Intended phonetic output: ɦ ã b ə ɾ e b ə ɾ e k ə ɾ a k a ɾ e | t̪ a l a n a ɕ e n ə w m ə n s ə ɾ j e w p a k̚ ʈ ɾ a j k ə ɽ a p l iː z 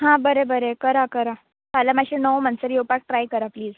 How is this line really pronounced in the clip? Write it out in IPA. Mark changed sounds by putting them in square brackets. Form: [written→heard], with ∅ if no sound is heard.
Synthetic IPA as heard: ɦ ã b ə ɾ e b ə ɾ e k ə ɾ a k [a→ə] ɾ [e→a] | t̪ a l a [n→m] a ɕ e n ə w m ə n s ə ɾ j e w p a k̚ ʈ ɾ a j k ə [ɽ→ɾ] a p l iː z